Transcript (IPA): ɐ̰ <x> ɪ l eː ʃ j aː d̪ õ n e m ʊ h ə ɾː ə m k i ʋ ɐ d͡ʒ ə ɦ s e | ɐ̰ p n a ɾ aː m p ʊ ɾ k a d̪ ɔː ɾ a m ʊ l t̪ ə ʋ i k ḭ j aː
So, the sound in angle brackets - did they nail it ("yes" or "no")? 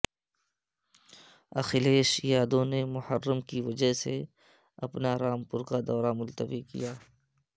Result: yes